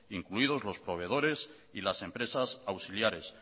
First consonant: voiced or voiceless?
voiced